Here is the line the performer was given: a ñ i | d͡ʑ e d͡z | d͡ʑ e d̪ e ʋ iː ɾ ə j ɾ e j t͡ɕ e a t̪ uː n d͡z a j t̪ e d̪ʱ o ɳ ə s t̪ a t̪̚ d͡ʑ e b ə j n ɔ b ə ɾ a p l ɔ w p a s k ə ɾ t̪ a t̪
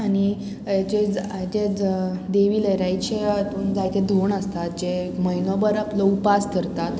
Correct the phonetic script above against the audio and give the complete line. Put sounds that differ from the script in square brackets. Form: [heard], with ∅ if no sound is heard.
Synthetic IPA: a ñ i | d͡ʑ e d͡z | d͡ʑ e d̪ e ʋ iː [l] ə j ɾ [a] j t͡ɕ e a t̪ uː n d͡z a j t̪ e d̪ʱ o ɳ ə s t̪ a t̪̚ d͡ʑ e [m] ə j n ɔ b ə ɾ a p l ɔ [u] p a s k ə ɾ t̪ a t̪

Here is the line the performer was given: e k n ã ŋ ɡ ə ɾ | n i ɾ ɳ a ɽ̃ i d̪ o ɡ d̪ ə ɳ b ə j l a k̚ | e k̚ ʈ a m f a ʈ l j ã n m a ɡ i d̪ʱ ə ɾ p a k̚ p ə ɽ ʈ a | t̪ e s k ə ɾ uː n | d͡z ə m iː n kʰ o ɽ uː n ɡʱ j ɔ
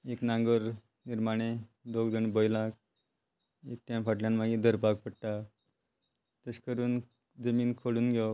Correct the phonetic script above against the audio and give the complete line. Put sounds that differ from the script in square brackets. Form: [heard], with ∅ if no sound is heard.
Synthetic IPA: e k n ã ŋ ɡ ə ɾ | n i ɾ [m] a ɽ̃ [e] d̪ o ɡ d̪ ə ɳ b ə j l a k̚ | e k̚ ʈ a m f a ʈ l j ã n m a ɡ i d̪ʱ ə ɾ p a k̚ p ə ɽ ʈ a | t̪ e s k ə ɾ uː n | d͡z ə m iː n kʰ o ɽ uː n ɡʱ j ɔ

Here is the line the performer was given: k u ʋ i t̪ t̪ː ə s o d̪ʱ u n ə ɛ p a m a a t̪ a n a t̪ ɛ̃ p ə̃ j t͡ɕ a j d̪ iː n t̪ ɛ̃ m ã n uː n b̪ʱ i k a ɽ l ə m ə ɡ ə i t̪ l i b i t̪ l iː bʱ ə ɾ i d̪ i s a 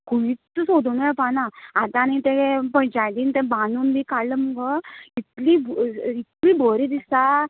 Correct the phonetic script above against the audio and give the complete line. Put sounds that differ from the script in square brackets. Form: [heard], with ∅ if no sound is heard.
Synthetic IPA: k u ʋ i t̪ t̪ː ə s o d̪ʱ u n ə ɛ p a [n] a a t̪ a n [i] t̪ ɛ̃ p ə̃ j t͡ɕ a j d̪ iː n t̪ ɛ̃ [b] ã n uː n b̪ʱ i k a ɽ l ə m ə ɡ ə i t̪ l i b i t̪ l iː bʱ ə ɾ i d̪ i s a

